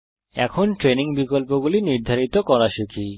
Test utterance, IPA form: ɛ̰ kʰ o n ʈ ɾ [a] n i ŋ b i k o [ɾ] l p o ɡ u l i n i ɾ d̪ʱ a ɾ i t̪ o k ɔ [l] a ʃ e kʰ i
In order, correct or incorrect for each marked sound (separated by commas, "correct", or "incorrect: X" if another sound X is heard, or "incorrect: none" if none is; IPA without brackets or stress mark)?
incorrect: e, incorrect: none, incorrect: ɾ